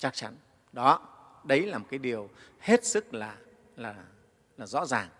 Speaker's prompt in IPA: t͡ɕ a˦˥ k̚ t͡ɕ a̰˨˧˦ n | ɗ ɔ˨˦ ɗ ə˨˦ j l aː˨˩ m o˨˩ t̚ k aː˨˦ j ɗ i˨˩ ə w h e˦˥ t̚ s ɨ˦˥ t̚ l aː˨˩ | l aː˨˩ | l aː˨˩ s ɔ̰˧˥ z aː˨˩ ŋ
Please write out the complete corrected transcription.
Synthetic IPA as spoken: t͡ɕ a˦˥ k̚ t͡ɕ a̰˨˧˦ n | ɗ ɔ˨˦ ɗ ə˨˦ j l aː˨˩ m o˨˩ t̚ k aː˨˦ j ɗ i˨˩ ə w h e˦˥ t̚ s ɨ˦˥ k̚ l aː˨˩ | l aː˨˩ | l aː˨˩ z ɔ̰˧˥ z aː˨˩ ŋ

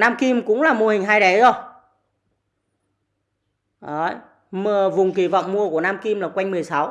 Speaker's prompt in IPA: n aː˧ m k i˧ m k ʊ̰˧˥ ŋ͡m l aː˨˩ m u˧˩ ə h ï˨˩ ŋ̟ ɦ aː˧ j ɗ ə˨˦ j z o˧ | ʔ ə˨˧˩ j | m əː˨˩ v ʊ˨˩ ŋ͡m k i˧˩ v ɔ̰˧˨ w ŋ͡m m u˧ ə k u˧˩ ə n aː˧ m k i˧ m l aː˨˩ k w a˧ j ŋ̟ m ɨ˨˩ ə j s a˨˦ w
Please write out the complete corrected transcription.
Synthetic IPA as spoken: n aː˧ m k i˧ m k ʊ̰˧˥ ŋ͡m l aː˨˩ m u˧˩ ə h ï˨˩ ŋ̟ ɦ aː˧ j ɗ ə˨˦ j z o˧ | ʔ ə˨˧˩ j | m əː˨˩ v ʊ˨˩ ŋ͡m k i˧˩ v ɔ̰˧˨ w ŋ͡m m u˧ ə k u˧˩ ə n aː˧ m k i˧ m l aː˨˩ k w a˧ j ŋ̟ m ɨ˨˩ ə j s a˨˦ w

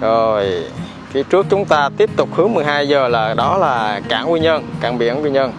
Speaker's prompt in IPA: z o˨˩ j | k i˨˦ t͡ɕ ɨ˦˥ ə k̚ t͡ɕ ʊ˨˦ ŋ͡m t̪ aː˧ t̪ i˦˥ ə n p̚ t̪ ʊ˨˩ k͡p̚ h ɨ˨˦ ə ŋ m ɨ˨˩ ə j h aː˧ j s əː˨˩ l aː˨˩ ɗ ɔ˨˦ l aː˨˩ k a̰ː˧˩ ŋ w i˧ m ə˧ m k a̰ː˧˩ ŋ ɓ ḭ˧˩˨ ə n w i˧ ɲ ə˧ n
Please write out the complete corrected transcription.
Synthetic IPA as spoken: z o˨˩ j | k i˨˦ t͡ɕ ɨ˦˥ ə k̚ t͡ɕ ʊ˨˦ ŋ͡m t̪ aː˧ t̪ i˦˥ ə p̚ t̪ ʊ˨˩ k͡p̚ h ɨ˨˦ ə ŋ m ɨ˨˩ ə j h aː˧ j z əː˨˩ l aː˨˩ ɗ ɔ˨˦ l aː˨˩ k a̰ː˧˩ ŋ w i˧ ɲ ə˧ n k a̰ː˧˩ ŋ ɓ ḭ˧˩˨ ə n w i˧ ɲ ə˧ n

